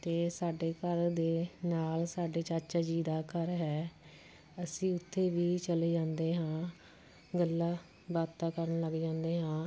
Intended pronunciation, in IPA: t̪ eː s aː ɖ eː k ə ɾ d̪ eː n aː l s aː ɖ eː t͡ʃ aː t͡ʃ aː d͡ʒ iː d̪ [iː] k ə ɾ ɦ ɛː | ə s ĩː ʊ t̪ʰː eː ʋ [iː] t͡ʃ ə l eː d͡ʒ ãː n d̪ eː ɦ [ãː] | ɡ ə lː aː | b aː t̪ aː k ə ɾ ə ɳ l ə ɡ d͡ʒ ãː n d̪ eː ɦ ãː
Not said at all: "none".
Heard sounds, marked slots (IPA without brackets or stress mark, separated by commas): aː, iː, ãː